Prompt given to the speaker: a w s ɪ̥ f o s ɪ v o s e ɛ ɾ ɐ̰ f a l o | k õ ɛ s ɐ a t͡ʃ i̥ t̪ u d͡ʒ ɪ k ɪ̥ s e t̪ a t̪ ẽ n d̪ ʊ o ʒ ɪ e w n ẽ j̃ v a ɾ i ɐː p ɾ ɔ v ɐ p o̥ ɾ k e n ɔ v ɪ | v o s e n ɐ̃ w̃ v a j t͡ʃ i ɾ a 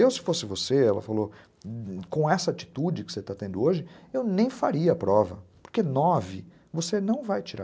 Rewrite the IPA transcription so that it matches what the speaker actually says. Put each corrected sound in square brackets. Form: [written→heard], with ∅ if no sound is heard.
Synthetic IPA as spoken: [a→e] w s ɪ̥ f o s ɪ v o s e ɛ [ɾ→l] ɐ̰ f a l o | k õ ɛ s ɐ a t͡ʃ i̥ t̪ u d͡ʒ ɪ k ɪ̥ s e t̪ a t̪ ẽ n d̪ ʊ o ʒ ɪ e w n ẽ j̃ [v→f] a ɾ i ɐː p ɾ ɔ v ɐ p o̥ ɾ k e n ɔ v ɪ | v o s e n ɐ̃ w̃ v a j t͡ʃ i ɾ a

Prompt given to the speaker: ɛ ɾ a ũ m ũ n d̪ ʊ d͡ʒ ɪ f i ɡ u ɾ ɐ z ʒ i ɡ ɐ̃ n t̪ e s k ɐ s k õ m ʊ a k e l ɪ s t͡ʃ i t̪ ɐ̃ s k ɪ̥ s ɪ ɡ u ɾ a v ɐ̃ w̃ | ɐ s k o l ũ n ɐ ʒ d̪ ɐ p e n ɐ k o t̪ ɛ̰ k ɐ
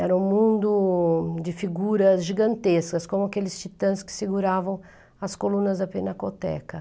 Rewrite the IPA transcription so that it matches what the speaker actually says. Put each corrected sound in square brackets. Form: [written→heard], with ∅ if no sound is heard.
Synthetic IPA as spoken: ɛ ɾ [a→ɐ] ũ m ũ n d̪ ʊ d͡ʒ ɪ f i ɡ u ɾ ɐ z ʒ i ɡ ɐ̃ n t̪ e s k ɐ s k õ m ʊ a k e l ɪ s t͡ʃ i t̪ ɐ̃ s k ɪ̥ s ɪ ɡ u ɾ a v ɐ̃ w̃ | ɐ s k o l ũ n ɐ [ʒ→z] d̪ ɐ p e n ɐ k o t̪ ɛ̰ k ɐ

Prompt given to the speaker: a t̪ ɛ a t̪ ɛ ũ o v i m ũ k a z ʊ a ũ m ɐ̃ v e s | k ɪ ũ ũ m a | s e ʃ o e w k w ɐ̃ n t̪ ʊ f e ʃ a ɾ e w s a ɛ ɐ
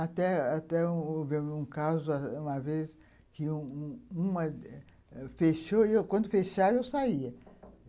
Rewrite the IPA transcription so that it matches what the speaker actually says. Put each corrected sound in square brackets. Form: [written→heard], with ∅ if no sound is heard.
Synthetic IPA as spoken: a t̪ ɛ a t̪ ɛ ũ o v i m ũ k a z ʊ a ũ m [ɐ̃→ɐ] v e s | k ɪ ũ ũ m [a→ɐ] | [s→f] e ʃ o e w k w ɐ̃ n [t̪→d̪] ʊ f e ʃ a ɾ e w s a [ɛ→i] ɐ

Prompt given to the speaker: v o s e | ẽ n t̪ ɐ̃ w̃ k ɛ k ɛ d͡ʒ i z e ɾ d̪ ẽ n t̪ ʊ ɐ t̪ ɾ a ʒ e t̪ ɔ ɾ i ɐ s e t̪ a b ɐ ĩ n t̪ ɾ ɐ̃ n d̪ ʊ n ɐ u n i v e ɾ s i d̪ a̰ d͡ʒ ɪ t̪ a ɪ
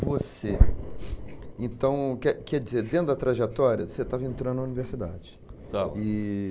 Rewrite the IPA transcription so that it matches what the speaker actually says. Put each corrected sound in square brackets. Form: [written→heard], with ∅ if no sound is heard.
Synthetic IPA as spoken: v o s e | ẽ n t̪ ɐ̃ w̃ k ɛ k ɛ d͡ʒ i z e ɾ d̪ ẽ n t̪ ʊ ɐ t̪ ɾ a ʒ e t̪ ɔ ɾ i ɐ s e t̪ a [b→v] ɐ [ĩ→ẽ] n t̪ ɾ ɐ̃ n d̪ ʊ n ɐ u n i v e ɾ s i d̪ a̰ d͡ʒ ɪ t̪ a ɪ

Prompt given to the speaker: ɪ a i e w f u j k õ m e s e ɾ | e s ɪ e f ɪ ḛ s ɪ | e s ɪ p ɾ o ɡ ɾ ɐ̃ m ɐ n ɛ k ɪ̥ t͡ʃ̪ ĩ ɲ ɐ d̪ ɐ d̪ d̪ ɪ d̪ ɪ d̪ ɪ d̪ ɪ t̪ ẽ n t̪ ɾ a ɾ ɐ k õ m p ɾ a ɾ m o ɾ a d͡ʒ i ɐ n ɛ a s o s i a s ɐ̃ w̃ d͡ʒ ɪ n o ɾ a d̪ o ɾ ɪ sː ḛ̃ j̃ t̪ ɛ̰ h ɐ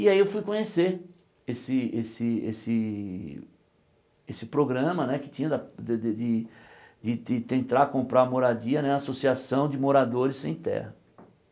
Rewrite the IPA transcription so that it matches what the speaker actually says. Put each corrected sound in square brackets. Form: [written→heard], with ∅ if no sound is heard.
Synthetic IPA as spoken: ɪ a i e w f u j k õ [m→ɲ] e s e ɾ | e s ɪ e [f→s] ɪ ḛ s ɪ | e s ɪ p ɾ o ɡ ɾ ɐ̃ m ɐ n ɛ k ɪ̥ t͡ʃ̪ ĩ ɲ ɐ d̪ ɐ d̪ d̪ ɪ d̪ ɪ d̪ ɪ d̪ ɪ t̪ ẽ n t̪ ɾ a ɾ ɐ k õ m p ɾ a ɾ m o ɾ a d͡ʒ i ɐ n ɛ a s o s i a s ɐ̃ w̃ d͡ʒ ɪ [n→m] o ɾ a d̪ o ɾ ɪ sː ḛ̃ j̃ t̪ ɛ̰ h ɐ

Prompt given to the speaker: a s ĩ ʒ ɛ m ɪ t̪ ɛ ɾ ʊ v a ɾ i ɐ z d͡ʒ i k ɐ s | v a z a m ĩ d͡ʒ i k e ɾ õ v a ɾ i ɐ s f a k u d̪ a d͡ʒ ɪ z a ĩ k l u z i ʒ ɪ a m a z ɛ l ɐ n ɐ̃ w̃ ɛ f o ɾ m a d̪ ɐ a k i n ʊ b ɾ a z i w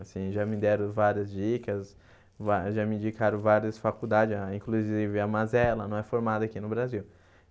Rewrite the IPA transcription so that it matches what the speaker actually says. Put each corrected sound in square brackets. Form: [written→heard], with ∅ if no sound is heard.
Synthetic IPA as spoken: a s ĩ ʒ [ɛ→a] m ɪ [t̪→d̪] ɛ ɾ ʊ v a ɾ i ɐ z d͡ʒ i k ɐ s | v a [z→ʒ] a m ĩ d͡ʒ i k [e→a] ɾ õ v a ɾ i ɐ s f a k u d̪ a d͡ʒ ɪ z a ĩ k l u z i [ʒ→v] ɪ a m a z ɛ l ɐ n ɐ̃ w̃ ɛ f o ɾ m a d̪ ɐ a k i n ʊ b ɾ a z i w

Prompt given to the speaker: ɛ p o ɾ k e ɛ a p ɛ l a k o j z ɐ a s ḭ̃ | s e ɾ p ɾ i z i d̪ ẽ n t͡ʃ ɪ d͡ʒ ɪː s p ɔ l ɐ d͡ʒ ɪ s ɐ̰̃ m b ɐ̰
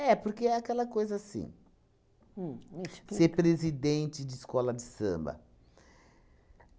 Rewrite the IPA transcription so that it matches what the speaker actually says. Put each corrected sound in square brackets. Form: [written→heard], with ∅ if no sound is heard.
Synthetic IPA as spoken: ɛ p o ɾ k e ɛ a [p→k] ɛ l [a→ɐ] k o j z ɐ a s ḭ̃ | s e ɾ p ɾ [i→e] z i d̪ ẽ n t͡ʃ ɪ d͡ʒ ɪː s [p→k] ɔ l ɐ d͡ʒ ɪ s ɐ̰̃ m b ɐ̰

